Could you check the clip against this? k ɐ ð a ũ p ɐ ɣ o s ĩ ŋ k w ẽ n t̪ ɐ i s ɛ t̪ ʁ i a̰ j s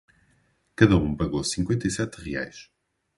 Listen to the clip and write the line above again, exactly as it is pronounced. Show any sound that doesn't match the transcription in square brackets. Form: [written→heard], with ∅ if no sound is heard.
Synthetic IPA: k ɐ ð [a→ɐ] ũ p ɐ ɣ o s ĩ ŋ k w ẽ n t̪ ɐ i s ɛ t̪ ʁ i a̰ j [s→ʃ]